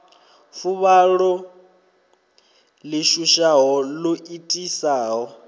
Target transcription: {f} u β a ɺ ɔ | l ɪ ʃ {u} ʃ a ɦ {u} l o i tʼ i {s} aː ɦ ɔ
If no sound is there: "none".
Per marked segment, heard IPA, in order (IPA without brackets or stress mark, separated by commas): f, u, ɔ, s